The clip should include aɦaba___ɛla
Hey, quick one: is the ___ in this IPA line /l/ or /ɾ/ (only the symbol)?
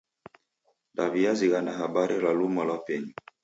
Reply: ɾ